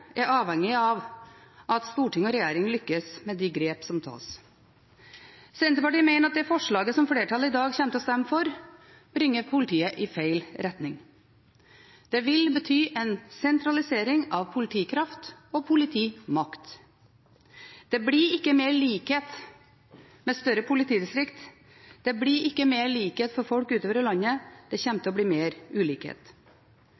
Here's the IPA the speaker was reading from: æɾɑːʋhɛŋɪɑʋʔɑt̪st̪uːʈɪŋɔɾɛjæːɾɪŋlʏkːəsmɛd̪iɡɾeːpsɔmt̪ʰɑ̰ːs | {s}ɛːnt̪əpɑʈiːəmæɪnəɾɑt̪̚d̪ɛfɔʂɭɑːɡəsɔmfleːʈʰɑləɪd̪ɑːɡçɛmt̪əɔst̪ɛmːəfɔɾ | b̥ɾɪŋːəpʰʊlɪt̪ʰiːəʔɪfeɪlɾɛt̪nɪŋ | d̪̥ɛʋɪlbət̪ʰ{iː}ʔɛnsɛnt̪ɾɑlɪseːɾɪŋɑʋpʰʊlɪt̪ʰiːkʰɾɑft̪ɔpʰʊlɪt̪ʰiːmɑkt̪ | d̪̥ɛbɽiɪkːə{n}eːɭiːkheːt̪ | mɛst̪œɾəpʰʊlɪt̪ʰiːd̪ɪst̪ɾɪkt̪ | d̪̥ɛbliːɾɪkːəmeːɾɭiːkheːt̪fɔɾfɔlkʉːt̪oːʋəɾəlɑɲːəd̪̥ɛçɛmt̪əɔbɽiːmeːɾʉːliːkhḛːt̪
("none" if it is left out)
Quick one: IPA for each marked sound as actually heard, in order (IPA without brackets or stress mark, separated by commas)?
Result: s, yː, m